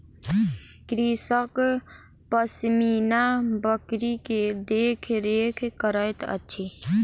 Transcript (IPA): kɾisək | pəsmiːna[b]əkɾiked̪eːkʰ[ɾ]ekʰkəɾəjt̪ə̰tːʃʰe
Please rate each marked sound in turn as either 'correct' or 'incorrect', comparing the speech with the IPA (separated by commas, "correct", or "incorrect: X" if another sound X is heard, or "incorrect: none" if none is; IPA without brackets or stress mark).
correct, correct